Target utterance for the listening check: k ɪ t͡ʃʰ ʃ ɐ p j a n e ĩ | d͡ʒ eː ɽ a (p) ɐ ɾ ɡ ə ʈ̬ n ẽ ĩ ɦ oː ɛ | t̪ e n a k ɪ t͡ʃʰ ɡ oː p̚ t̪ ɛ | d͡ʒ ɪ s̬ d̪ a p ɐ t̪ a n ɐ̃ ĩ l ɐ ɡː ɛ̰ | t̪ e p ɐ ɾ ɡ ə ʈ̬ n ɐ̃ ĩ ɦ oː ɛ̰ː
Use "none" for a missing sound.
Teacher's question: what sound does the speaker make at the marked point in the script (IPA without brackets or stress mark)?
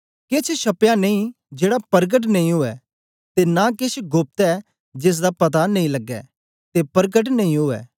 p